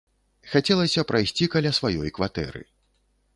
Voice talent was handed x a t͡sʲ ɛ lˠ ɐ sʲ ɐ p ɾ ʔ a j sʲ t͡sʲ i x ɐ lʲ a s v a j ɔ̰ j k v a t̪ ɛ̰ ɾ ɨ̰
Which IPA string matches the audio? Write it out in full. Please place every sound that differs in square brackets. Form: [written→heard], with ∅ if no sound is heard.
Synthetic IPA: x a t͡sʲ ɛ lˠ ɐ sʲ ɐ p ɾ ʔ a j sʲ t͡sʲ i [x→k] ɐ lʲ a s v a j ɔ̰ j k v a t̪ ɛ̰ ɾ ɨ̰